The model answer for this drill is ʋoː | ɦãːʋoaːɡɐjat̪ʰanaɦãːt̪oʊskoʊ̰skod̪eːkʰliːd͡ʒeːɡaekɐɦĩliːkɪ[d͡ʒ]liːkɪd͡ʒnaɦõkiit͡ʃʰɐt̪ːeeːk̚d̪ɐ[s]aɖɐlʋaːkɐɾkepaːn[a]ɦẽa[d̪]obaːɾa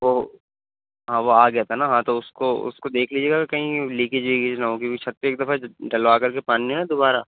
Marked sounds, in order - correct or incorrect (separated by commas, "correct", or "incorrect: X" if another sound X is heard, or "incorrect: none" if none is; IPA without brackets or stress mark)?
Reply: correct, incorrect: f, incorrect: i, correct